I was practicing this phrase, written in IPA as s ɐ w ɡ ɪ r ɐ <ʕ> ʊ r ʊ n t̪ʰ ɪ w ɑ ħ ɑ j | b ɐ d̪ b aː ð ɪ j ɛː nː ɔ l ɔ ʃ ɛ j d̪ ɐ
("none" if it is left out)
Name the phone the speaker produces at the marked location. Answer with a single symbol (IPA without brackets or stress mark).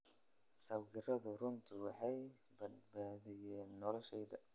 ð